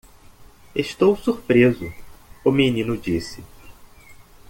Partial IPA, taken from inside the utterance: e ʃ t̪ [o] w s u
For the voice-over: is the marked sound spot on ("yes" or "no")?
yes